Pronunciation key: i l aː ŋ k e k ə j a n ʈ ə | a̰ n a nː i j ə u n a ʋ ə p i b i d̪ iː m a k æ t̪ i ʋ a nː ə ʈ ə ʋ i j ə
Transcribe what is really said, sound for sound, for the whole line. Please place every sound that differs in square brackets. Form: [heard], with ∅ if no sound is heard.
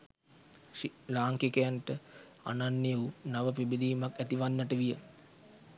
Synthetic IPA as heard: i l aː ŋ k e k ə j a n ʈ ə | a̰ n a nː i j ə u n a ʋ ə p i b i d̪ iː m a k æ t̪ i ʋ a nː ə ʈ ə ʋ i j ə